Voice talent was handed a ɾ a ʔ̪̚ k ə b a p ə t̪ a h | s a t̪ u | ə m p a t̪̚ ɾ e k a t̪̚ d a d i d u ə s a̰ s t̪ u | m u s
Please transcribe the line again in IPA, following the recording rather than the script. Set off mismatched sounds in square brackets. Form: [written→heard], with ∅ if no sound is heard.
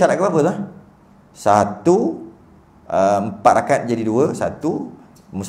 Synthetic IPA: a ɾ a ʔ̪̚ k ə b a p ə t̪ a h | s a t̪ u | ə m p a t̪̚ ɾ [e→a] k a t̪̚ [d→d͡ʒ] a d i d u ə s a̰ [s→∅] t̪ u | m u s